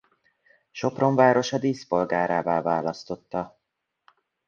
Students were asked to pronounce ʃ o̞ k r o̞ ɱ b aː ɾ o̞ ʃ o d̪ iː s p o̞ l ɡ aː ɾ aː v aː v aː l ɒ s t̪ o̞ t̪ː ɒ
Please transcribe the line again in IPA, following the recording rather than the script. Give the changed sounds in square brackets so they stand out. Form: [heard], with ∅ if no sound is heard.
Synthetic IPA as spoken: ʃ o̞ [p] r o̞ ɱ [v] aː ɾ o̞ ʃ [ɒ] d̪ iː s p o̞ l ɡ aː ɾ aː v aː v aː l ɒ s t̪ o̞ t̪ː ɒ